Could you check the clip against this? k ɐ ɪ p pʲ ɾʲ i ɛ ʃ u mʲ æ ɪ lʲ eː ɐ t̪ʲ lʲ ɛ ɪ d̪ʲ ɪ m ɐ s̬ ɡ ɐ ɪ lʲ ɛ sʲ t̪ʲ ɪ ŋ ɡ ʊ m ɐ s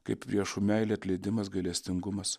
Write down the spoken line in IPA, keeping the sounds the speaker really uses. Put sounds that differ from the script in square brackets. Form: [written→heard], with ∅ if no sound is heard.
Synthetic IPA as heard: k ɐ ɪ p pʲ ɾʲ i ɛ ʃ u mʲ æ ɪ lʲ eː ɐ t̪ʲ lʲ ɛ ɪ d̪ʲ ɪ m ɐ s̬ ɡ ɐ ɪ lʲ ɛ sʲ t̪ʲ ɪ ŋ ɡ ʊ m ɐ s